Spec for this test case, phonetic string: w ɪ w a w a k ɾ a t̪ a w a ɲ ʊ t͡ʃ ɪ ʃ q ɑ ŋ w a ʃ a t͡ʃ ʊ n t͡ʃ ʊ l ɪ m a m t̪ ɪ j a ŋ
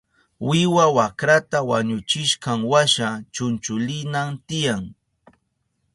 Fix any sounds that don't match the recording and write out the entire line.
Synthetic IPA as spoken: w ɪ w a w a k ɾ a t̪ a w a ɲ ʊ t͡ʃ ɪ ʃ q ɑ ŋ w a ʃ a t͡ʃ ʊ n t͡ʃ ʊ l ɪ n a m t̪ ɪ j a ŋ